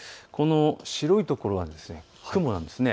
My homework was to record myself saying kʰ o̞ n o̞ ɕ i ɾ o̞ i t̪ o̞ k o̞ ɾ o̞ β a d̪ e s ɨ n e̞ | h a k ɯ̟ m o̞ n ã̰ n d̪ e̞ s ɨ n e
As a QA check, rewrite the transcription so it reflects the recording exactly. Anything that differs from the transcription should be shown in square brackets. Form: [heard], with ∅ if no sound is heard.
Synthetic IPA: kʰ o̞ n o̞ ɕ i ɾ o̞ i t̪ o̞ k o̞ ɾ o̞ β a d̪ e s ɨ n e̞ | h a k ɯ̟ m o̞ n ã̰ n d̪ e̞ s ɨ n e